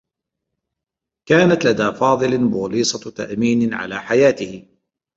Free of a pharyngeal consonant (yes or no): no